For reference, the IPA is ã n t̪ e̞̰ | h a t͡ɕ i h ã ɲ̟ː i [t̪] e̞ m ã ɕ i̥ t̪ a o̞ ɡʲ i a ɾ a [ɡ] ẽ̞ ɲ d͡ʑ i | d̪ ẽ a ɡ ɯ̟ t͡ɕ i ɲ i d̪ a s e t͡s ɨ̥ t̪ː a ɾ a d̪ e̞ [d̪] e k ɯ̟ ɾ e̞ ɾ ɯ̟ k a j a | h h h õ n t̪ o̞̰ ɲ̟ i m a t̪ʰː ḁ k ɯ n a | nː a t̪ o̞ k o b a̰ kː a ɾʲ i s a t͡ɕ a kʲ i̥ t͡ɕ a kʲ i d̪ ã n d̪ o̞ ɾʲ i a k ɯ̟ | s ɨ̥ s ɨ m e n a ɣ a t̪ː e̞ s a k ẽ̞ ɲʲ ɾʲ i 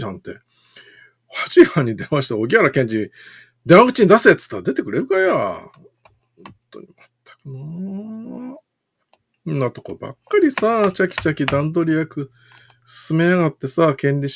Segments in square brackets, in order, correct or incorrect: incorrect: d̪, incorrect: k, incorrect: t̪

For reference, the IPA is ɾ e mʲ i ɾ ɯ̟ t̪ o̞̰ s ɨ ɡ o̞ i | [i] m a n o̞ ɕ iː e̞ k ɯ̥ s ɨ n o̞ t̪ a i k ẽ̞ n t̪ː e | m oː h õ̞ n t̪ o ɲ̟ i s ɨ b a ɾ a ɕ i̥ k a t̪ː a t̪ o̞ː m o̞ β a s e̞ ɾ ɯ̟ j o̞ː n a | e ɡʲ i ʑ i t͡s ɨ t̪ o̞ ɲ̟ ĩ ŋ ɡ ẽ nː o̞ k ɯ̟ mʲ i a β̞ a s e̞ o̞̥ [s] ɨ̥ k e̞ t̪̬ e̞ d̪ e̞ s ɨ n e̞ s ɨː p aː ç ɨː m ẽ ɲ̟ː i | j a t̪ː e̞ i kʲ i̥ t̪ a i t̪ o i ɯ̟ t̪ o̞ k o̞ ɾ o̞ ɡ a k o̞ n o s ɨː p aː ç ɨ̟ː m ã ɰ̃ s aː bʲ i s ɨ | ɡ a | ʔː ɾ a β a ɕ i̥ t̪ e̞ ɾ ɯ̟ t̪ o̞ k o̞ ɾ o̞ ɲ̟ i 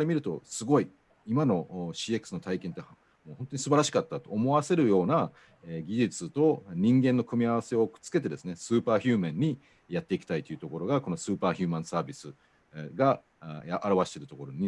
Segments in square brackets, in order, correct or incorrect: correct, incorrect: t͡s

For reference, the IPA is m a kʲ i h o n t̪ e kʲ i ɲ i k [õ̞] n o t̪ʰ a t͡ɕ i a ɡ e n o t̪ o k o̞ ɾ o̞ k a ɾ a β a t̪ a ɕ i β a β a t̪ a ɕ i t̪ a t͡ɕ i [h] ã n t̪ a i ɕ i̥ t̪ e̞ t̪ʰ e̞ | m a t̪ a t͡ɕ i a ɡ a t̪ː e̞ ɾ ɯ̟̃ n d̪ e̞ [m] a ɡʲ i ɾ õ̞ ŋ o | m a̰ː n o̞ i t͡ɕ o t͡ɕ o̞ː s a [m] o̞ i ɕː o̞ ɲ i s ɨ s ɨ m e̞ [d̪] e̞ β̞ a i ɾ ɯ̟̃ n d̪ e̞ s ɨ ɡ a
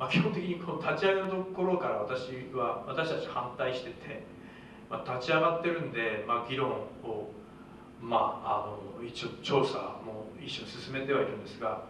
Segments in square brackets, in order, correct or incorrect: incorrect: o̞, correct, correct, correct, incorrect: t̪

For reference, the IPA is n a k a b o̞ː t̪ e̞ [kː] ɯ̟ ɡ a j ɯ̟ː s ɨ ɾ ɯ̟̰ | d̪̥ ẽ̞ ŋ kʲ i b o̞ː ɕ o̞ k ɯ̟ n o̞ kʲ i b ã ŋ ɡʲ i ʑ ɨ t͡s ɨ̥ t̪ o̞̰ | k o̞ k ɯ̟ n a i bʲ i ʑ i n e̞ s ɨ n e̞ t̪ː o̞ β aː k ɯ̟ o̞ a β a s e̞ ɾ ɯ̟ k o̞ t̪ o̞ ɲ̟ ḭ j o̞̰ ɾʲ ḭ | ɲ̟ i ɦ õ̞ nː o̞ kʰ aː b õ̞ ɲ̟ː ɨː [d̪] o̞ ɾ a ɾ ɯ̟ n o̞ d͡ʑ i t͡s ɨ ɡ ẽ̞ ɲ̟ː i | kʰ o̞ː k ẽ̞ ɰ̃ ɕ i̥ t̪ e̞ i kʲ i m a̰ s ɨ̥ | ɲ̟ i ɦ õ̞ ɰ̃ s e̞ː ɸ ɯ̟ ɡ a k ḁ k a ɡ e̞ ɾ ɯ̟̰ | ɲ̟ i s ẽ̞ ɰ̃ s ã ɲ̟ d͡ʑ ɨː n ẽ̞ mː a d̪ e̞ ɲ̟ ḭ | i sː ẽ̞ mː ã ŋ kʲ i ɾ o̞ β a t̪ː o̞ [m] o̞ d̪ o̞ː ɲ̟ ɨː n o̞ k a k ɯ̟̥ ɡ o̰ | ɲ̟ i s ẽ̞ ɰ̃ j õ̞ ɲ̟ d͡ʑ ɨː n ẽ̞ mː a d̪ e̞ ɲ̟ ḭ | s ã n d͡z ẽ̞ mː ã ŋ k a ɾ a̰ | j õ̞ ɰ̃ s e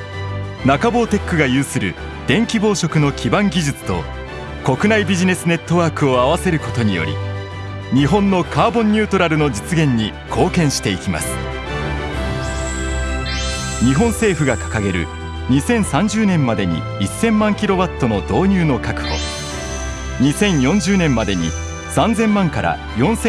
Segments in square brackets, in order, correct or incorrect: correct, incorrect: t̪, incorrect: n

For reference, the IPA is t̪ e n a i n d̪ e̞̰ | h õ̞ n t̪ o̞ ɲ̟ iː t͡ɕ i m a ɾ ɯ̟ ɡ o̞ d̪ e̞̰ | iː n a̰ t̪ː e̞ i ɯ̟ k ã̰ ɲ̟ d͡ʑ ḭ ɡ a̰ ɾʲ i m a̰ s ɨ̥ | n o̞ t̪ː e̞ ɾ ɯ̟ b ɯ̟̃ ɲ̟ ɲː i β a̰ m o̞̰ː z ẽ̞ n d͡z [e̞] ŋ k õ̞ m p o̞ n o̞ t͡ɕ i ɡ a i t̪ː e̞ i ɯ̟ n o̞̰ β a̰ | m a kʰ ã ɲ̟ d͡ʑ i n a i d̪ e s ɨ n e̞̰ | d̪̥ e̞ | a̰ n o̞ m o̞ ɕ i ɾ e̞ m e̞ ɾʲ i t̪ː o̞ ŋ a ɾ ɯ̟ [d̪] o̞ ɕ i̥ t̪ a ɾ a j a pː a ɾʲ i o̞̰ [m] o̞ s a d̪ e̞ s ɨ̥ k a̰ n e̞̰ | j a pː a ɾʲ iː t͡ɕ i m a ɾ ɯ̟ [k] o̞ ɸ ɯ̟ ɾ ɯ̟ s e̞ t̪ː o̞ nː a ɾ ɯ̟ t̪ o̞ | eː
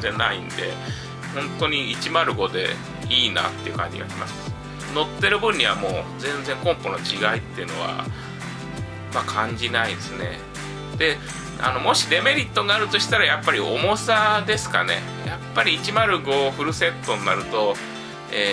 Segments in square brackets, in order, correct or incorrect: incorrect: ẽ̞, incorrect: t̪, correct, incorrect: ɡ

